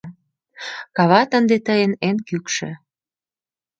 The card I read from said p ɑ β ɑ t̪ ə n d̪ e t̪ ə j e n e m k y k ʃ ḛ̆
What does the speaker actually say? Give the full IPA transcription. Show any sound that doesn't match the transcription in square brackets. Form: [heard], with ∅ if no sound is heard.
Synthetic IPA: [k] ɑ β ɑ t̪ ə n d̪ e t̪ ə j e n e [n] k y k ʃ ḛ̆

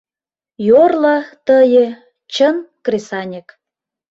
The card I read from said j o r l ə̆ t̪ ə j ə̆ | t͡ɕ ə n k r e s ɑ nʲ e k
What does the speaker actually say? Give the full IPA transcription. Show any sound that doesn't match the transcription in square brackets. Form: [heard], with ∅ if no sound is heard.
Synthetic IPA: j o r l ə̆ t̪ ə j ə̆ | t͡ɕ ə n k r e s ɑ nʲ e k

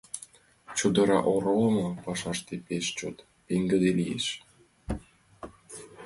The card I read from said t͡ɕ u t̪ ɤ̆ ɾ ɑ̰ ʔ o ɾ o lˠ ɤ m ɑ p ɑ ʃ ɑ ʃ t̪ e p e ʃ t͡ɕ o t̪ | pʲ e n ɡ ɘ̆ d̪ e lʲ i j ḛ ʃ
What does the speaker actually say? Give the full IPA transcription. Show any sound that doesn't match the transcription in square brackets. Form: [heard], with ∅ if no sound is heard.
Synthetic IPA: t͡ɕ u [d̪] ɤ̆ ɾ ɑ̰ ʔ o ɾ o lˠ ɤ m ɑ p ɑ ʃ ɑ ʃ t̪ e p e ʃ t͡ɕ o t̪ | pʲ e [ŋ] ɡ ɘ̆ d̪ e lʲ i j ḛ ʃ

